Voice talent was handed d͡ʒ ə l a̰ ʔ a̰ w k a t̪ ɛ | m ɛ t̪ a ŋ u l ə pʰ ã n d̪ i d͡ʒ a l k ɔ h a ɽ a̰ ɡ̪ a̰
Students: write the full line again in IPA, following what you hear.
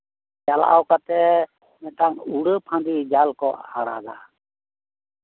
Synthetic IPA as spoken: d͡ʒ a l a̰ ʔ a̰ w k a t̪ ɛ | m ɛ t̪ a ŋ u ɽ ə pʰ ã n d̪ i d͡ʒ a l k ɔ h a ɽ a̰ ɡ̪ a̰